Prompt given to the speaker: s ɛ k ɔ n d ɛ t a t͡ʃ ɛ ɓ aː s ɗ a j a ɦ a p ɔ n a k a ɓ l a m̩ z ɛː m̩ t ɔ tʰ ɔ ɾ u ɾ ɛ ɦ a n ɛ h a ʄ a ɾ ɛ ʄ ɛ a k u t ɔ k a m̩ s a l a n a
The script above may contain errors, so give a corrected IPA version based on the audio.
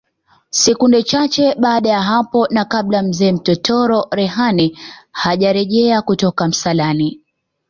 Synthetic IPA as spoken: s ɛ k u n d ɛ t͡ʃ a t͡ʃ ɛ ɓ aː ɗ a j a ɦ a p ɔ n a k a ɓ l a m̩ z ɛː m̩ t ɔ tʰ ɔ ɾ ɔ ɾ ɛ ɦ a n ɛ h a ʄ a ɾ ɛ ʄ ɛ a k u t ɔ k a m̩ s a l a n i

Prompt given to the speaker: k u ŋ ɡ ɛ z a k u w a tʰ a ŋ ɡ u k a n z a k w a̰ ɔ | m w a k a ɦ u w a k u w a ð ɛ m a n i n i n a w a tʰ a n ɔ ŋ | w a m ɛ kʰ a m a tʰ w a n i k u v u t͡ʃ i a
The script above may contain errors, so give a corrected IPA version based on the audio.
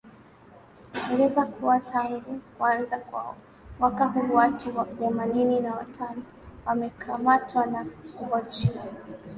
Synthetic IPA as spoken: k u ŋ ɡ ɛ z a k u w a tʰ a ŋ ɡ u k a n z a k w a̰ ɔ | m w a k a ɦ u w a t u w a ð ɛ m a n i n i n a w a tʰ a n ɔ | w a m ɛ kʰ a m a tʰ w a n a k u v ɔ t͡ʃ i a

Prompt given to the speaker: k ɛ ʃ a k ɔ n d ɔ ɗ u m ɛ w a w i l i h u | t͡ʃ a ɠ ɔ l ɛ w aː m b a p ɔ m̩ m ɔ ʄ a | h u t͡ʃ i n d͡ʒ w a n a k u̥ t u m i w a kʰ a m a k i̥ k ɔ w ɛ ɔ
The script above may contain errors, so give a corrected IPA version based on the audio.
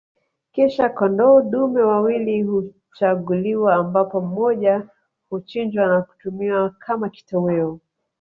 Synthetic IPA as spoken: k ɛ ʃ a k ɔ n d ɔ ɗ u m ɛ w a w i l i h u | t͡ʃ a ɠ u l i w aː m b a p ɔ m̩ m ɔ ʄ a | h u t͡ʃ i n d͡ʒ w a n a k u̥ t u m i w a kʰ a m a k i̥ t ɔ w ɛ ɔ

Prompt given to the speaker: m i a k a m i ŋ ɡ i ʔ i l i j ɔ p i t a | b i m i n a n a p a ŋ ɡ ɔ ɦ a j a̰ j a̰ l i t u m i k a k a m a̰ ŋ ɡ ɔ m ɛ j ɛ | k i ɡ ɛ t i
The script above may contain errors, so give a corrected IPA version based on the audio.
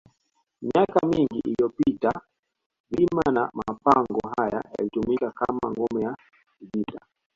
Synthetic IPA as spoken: m i a k a m i ŋ ɡ i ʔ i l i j ɔ p i t a | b i m a n a m a p a ŋ ɡ ɔ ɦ a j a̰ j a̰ l i t u m i k a k a m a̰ ŋ ɡ ɔ m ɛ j a | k i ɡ i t a

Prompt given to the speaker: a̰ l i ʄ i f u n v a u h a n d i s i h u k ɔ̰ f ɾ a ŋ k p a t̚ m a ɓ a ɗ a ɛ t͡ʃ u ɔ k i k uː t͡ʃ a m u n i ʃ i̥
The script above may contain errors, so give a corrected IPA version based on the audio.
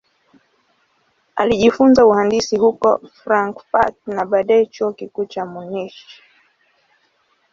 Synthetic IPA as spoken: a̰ l i ʄ i f u n z a u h a n d i s i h u k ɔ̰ f ɾ a ŋ k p a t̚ n a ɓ a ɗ a ɛ t͡ʃ u ɔ k i k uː t͡ʃ a m u n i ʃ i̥

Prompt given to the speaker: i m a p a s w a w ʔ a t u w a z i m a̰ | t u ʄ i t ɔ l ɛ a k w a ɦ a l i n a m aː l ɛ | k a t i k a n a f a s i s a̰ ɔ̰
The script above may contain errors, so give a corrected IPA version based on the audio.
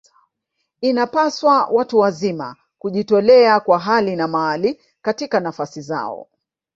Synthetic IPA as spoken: i n a p a s w a w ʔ a t u w a z i m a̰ | k u ʄ i t ɔ l ɛ a k w a ɦ a l i n a m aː l i | k a t i k a n a f a s i z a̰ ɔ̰

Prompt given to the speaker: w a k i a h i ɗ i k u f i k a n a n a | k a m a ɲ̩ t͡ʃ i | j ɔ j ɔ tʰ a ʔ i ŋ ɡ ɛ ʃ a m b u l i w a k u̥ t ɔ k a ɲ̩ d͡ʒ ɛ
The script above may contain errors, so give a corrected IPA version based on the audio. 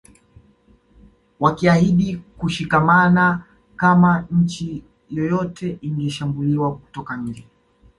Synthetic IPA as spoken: w a k i a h i ɗ i k u ʃ i k a m a n a | k a m a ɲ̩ t͡ʃ i | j ɔ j ɔ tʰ ɛ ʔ i ŋ ɡ ɛ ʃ a m b u l i w a k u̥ t ɔ k a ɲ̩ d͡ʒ ɛ

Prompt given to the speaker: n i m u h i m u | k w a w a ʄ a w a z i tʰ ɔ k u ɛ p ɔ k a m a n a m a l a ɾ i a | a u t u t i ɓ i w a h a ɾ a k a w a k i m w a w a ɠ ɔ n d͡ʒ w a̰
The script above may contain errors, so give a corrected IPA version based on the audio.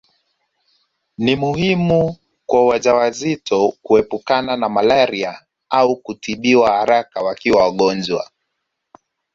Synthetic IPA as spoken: n i m u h i m u | k w a w a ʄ a w a z i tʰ ɔ k u ɛ p u k a n a n a m a l a ɾ i a | a u k u t i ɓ i w a h a ɾ a k a w a k i w a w a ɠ ɔ n d͡ʒ w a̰

